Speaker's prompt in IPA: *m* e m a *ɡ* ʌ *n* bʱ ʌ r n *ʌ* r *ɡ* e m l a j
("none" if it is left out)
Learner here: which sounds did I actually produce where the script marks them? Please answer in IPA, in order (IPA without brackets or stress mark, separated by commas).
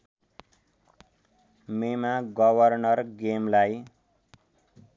m, ɡ, none, ʌ, ɡ